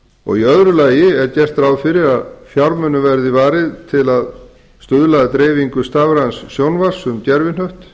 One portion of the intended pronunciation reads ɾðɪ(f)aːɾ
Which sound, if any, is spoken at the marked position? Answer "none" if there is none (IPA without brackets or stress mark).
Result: v